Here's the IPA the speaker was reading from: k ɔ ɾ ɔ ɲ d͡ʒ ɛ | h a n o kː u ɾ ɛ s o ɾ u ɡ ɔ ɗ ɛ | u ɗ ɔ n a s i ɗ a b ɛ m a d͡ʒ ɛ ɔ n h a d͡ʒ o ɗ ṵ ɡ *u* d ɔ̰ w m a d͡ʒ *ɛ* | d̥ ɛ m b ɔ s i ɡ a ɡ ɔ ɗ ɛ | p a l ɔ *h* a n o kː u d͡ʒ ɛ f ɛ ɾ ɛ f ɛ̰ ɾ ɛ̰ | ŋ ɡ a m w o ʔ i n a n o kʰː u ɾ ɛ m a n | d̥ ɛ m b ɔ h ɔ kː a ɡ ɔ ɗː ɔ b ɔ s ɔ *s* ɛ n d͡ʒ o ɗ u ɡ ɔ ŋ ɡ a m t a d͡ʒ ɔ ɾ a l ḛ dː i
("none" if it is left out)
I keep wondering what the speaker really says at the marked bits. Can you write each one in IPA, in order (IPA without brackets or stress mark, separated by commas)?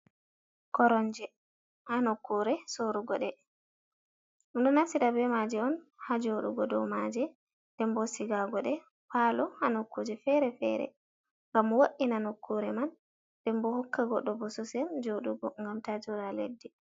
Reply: ɔ, ɛ, h, s